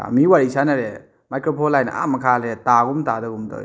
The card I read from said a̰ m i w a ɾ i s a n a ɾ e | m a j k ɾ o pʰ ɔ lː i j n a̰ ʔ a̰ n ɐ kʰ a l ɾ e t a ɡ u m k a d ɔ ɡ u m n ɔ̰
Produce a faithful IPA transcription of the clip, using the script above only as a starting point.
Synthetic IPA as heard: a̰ m i w a ɾ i s a n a ɾ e | m a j k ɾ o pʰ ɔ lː a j n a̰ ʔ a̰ m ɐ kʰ a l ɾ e t a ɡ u m t a d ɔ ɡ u m d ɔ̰